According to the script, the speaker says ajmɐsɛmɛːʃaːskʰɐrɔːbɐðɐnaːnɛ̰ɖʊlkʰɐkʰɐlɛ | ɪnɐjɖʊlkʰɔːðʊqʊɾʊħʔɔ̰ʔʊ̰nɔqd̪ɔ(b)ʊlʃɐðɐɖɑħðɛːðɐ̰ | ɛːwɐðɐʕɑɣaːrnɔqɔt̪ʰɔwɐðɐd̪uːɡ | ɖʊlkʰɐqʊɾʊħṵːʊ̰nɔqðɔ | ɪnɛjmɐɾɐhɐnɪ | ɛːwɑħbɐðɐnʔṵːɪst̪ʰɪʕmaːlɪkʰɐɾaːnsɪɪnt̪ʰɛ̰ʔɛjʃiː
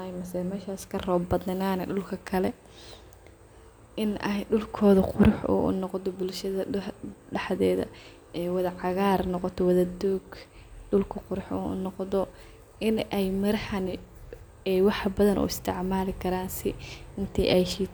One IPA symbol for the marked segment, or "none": b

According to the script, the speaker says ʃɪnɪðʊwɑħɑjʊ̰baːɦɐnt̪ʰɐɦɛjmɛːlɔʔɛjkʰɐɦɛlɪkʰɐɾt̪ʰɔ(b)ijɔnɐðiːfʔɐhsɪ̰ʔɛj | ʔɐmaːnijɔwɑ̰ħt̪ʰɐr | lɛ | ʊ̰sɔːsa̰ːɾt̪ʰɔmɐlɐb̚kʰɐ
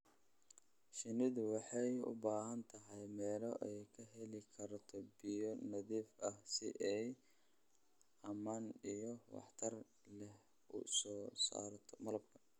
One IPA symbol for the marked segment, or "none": b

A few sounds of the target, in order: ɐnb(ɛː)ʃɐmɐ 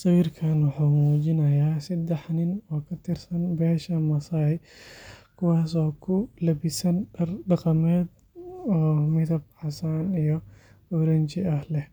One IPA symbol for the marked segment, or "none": ɛː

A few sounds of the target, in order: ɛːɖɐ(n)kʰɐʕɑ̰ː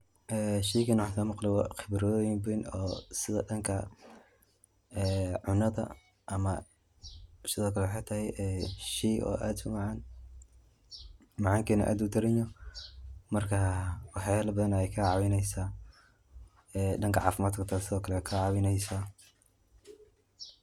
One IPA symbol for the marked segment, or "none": ŋ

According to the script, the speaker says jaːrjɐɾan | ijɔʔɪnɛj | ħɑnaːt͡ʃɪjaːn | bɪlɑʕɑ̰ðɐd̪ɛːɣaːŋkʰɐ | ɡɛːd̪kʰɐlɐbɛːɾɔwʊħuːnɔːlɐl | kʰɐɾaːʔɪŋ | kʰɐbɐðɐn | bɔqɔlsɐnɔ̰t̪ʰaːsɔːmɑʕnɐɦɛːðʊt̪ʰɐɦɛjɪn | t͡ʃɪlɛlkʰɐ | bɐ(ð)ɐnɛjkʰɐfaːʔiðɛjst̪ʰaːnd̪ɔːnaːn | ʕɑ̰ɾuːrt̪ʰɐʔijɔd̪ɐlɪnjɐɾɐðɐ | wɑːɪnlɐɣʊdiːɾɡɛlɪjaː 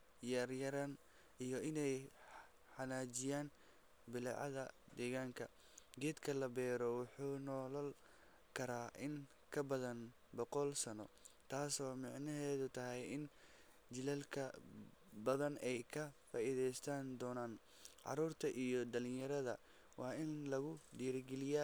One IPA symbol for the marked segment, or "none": ð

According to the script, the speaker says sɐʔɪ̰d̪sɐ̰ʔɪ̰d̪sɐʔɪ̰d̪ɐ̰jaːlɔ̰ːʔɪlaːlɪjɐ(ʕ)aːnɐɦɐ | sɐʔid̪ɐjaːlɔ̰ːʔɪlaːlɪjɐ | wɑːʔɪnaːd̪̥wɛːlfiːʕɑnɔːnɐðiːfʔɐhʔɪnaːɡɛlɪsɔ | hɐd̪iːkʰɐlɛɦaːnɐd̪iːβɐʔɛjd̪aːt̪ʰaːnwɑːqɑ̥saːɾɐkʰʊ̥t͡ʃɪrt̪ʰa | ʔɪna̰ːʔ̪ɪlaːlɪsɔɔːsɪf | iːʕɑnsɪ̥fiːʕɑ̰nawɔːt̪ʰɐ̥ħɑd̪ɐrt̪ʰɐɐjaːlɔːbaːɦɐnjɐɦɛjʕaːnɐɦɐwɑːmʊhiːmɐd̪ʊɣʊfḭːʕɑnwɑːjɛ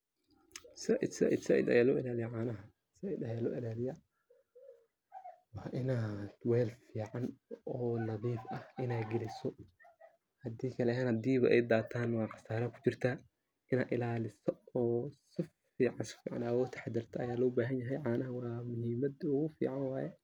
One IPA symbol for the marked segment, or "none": ʕ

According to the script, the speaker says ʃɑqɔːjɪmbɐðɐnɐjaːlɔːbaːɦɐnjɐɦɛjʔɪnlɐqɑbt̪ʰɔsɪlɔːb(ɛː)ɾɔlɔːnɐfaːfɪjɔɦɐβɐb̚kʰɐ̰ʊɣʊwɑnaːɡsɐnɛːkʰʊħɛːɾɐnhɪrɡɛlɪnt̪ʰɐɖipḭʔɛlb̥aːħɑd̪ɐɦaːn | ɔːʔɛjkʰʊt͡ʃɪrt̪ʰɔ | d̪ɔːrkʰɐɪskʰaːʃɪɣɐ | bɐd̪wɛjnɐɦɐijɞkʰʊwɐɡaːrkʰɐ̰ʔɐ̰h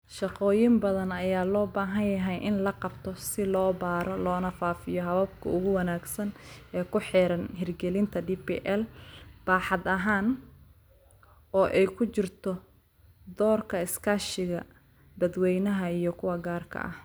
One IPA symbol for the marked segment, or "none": aː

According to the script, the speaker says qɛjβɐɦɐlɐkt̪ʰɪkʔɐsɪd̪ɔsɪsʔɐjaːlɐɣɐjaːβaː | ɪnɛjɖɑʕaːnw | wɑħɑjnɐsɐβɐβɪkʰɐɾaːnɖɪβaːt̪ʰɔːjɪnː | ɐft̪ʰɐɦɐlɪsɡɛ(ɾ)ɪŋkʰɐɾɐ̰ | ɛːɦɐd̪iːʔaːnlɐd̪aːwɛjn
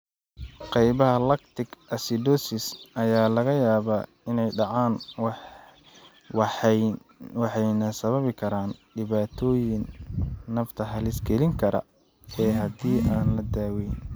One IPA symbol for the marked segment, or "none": l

